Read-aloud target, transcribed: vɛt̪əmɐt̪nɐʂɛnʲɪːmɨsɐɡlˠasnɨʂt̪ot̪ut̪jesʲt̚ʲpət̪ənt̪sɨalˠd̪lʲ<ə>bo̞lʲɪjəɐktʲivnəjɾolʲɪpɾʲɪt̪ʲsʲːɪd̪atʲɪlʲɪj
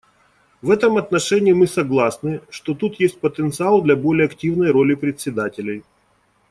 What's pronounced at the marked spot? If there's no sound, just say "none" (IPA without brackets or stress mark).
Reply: ɐ